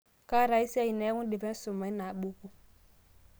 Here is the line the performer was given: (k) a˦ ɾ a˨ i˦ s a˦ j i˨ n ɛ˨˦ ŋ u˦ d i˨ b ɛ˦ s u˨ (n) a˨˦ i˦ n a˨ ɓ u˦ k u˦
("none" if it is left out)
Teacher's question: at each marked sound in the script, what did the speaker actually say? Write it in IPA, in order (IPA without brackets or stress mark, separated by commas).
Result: k, m